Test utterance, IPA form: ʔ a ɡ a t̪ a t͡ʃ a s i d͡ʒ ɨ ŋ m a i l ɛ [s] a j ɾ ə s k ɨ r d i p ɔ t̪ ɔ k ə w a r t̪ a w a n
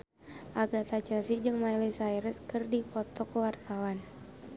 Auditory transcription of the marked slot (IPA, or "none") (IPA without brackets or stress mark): s